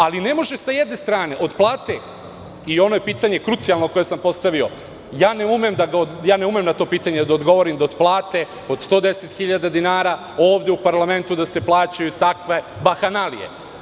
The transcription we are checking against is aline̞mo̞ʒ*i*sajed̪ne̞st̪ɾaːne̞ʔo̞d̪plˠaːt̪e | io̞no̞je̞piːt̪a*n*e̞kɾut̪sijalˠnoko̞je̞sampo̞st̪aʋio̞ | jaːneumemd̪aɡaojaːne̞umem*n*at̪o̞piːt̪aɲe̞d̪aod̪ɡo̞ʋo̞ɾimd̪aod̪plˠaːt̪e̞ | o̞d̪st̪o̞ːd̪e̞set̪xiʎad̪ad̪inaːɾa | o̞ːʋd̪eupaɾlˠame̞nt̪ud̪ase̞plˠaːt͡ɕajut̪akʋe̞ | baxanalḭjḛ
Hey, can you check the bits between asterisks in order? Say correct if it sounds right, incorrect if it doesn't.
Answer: incorrect, incorrect, correct

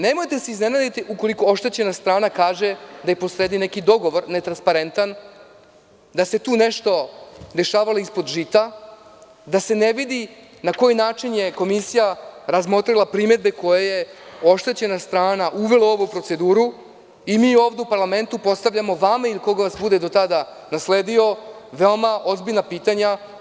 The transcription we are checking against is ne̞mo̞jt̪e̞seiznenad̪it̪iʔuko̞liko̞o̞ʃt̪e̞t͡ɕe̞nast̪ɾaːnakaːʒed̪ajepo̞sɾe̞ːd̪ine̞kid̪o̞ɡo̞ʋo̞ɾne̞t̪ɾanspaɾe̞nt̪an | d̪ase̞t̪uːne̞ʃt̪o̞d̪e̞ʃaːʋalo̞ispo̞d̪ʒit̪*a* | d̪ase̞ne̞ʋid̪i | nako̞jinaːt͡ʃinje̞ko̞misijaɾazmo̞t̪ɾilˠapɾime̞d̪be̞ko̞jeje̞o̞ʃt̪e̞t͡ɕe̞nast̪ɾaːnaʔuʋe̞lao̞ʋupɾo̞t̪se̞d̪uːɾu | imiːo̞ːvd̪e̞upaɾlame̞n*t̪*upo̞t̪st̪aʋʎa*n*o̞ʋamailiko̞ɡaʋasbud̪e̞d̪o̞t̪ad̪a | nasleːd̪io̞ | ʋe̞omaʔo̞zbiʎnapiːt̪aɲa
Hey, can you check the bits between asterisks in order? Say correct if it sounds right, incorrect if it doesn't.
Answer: correct, correct, incorrect

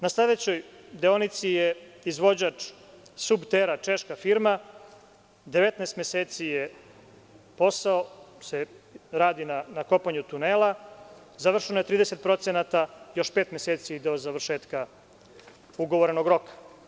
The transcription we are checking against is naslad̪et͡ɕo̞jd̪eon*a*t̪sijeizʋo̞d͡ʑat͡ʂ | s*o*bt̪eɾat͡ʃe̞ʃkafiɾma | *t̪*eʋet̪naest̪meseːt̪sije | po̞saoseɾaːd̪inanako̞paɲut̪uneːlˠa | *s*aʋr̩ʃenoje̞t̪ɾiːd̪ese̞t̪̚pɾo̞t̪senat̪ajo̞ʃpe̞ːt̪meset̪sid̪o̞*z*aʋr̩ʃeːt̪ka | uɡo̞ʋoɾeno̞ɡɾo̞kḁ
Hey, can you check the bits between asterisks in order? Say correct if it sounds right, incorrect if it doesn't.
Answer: incorrect, incorrect, incorrect, incorrect, correct

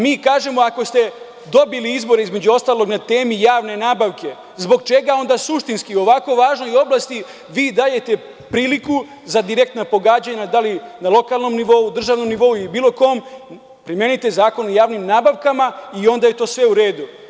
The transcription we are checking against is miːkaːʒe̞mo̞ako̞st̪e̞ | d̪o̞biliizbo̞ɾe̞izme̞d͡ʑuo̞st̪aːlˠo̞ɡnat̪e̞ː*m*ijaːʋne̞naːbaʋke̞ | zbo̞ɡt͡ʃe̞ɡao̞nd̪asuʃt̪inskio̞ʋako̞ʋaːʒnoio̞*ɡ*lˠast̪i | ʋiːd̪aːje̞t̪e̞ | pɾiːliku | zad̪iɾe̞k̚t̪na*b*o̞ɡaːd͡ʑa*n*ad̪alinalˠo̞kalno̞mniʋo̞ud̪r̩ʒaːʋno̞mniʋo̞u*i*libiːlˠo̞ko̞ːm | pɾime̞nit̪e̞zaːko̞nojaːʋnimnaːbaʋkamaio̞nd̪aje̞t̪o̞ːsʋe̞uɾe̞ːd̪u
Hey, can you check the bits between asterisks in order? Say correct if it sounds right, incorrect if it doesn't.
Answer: correct, incorrect, incorrect, incorrect, correct

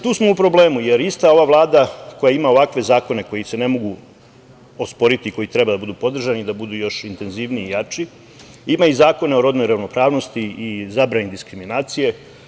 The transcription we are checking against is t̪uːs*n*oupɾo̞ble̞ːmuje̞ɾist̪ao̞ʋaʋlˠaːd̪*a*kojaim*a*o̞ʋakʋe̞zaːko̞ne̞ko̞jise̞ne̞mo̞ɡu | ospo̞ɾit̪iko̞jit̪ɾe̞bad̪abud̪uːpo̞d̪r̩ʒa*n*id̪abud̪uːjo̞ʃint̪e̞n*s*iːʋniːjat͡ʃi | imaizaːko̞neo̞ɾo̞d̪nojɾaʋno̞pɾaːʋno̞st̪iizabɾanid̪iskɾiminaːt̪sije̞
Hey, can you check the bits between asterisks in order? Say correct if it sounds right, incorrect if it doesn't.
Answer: incorrect, correct, correct, correct, incorrect

